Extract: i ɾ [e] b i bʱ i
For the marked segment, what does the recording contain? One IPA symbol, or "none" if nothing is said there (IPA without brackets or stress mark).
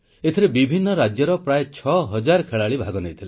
e